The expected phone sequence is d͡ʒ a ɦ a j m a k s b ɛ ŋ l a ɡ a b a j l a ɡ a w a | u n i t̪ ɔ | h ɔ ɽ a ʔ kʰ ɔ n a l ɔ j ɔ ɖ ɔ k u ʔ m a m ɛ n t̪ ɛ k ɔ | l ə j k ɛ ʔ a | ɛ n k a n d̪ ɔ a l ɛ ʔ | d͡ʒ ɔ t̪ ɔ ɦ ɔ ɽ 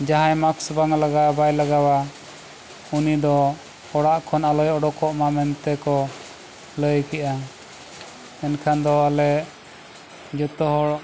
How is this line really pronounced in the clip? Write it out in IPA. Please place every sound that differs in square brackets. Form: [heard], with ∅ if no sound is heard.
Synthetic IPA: d͡ʒ a ɦ a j m a k s b [a] ŋ l a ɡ a b a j l a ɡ a w a | u n i [d̪] ɔ | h ɔ ɽ a ʔ kʰ ɔ n a l ɔ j ɔ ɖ ɔ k [ɔ] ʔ m a m ɛ n t̪ ɛ k ɔ | l ə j k ɛ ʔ a | ɛ n [kʰ] a n d̪ ɔ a l ɛ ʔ | d͡ʒ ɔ t̪ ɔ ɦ ɔ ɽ